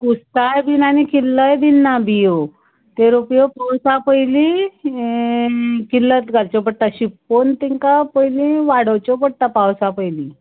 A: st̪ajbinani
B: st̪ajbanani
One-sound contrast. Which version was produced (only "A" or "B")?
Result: A